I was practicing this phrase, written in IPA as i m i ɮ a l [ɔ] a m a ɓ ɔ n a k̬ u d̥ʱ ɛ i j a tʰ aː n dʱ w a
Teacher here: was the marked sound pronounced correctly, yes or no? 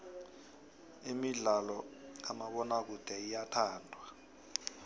yes